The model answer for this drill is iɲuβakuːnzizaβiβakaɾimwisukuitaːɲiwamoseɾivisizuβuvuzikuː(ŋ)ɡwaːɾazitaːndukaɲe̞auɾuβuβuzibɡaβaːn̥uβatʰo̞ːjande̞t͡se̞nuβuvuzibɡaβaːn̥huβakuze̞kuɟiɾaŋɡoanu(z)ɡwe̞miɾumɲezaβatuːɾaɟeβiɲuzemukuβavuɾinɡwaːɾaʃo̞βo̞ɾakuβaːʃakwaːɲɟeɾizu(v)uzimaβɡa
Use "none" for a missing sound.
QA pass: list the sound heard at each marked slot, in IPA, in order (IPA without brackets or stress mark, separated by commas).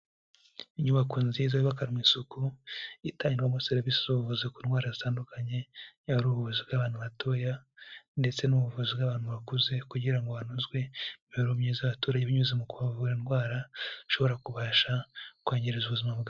n, z, β